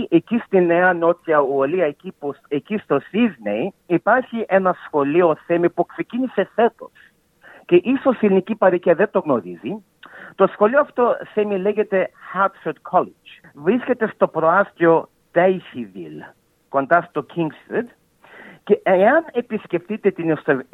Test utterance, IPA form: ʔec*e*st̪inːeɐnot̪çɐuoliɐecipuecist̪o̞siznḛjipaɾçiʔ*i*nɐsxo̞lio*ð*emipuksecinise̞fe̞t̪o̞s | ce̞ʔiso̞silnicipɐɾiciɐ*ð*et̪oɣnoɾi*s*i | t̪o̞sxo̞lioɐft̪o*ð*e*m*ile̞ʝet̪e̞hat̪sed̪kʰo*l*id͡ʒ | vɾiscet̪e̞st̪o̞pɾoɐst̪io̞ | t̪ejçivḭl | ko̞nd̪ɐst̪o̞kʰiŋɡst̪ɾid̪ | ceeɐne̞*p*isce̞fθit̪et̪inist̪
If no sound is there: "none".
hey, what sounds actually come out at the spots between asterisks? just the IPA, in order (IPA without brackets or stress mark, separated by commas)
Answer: i, e, θ, ð, z, θ, m, l, p